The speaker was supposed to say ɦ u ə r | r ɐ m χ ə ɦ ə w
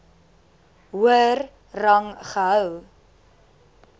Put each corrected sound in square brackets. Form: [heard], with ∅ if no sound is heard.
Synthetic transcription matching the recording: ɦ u ə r | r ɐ [ŋ] χ ə ɦ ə w